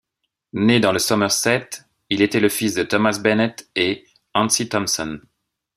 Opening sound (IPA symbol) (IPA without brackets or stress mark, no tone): n